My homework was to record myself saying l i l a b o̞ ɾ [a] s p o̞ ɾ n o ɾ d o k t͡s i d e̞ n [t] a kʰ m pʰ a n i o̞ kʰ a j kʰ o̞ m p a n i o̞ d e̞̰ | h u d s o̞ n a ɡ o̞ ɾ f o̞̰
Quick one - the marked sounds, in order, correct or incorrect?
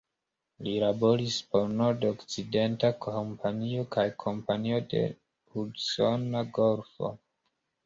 incorrect, correct

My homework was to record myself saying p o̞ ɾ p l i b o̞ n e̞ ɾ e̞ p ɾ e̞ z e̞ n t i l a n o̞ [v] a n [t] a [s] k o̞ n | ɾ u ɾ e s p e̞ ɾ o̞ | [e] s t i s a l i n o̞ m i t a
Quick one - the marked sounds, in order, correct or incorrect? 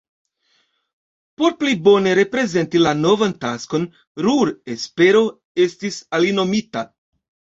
correct, correct, correct, correct

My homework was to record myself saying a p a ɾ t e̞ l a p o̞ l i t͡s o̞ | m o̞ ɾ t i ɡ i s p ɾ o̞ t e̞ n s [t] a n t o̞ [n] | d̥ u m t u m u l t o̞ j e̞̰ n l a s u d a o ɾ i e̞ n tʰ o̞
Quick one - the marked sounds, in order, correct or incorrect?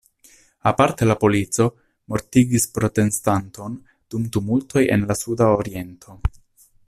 correct, correct

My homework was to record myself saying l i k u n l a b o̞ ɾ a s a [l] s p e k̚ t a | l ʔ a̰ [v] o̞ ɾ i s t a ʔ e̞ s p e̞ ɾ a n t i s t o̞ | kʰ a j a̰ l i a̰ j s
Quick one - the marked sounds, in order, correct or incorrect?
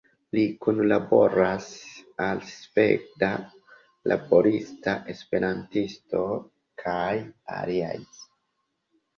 correct, incorrect

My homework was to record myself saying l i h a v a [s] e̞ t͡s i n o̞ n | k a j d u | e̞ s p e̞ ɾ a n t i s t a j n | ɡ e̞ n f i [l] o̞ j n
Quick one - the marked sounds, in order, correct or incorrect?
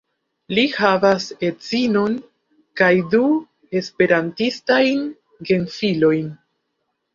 correct, correct

